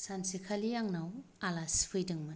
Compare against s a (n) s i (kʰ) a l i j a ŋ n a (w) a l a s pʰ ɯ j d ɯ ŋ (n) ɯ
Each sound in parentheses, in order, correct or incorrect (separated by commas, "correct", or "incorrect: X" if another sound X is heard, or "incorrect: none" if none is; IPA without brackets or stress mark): correct, correct, correct, incorrect: m